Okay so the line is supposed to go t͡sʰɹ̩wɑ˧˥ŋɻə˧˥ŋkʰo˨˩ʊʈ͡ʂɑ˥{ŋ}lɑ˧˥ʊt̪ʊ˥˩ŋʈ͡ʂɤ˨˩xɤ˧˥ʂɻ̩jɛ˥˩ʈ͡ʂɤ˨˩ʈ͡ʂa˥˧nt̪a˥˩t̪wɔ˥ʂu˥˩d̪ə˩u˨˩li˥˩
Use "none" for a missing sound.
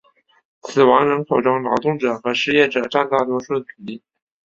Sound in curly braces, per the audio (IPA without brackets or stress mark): ŋ